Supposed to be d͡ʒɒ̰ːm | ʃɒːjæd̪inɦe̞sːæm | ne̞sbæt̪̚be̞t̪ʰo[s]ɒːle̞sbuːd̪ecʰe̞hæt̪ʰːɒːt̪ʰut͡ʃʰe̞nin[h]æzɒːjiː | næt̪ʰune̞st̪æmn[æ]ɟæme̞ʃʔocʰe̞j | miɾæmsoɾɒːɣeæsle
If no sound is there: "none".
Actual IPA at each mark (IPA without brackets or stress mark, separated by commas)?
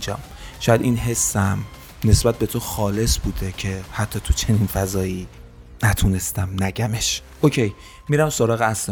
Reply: x, f, æ